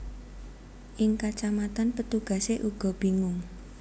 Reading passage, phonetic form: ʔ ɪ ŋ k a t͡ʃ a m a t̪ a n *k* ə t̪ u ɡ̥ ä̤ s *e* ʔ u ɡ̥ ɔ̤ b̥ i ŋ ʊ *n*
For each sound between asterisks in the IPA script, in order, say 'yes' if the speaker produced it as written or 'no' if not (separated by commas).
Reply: no, yes, no